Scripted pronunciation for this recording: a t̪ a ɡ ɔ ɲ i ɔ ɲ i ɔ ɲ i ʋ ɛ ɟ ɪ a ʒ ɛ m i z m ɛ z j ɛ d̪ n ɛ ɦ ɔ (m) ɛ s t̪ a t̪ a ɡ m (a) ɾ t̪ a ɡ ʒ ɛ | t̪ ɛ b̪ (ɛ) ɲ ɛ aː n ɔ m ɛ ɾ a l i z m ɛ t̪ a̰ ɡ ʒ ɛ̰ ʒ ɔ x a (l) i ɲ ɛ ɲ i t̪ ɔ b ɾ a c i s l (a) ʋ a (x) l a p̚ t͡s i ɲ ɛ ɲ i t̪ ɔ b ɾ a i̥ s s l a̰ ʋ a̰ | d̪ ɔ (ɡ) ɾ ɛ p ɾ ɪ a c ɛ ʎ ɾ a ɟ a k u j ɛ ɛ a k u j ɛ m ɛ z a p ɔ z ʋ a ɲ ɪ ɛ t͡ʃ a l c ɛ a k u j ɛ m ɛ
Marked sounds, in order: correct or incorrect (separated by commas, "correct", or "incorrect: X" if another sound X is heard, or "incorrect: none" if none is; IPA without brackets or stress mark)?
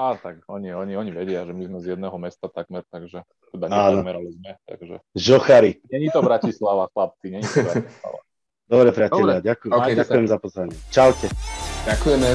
correct, incorrect: ɛ, incorrect: a, incorrect: ɾ, correct, correct, incorrect: b